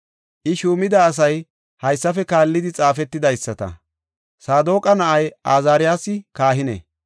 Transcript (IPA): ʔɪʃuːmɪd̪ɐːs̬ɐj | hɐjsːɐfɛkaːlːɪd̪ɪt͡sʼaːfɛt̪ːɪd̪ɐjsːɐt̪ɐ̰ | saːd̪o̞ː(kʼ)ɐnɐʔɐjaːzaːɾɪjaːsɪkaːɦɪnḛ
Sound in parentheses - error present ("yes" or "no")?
no